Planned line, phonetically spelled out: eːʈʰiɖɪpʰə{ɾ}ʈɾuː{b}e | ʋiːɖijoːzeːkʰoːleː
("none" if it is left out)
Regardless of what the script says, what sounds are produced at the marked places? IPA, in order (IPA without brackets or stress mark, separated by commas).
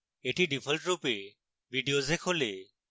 l, p